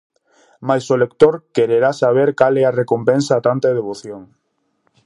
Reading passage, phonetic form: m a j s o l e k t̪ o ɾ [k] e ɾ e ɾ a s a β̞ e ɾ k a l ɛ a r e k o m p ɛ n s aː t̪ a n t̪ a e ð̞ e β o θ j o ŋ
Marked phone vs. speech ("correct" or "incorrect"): correct